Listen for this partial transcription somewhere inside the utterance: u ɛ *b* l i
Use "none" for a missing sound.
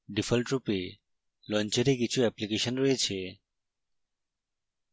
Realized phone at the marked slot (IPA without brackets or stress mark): p